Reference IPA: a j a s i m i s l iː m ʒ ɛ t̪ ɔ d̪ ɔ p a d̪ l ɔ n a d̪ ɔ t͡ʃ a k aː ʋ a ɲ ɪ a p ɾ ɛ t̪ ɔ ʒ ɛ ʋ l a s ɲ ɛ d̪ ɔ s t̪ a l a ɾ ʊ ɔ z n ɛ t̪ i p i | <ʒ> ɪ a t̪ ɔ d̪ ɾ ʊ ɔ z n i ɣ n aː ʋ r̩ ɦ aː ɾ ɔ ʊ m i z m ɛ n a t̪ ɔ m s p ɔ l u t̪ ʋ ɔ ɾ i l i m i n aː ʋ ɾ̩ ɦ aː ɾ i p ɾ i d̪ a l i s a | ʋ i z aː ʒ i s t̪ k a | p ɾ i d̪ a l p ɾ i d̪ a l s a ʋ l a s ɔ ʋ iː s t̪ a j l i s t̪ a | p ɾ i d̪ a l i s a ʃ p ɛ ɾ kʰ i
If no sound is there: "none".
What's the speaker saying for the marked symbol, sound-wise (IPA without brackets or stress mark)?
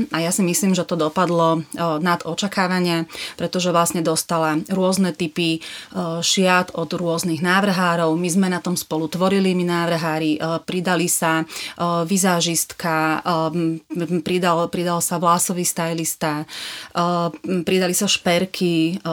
ʃ